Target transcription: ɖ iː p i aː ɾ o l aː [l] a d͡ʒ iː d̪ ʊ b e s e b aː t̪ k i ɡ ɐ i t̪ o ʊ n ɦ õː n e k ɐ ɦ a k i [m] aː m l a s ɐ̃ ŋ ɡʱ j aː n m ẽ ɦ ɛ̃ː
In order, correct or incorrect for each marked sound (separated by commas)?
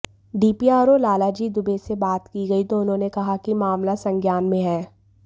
correct, correct